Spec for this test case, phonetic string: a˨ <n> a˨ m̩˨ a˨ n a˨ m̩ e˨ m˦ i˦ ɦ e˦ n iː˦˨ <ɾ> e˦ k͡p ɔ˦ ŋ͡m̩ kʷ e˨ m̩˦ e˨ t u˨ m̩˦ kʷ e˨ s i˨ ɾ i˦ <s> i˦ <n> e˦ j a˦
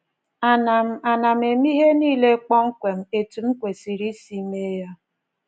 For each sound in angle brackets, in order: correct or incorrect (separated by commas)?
correct, incorrect, correct, incorrect